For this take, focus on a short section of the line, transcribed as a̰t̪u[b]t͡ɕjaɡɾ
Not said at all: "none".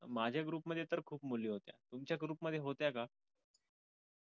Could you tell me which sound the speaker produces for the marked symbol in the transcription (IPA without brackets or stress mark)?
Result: m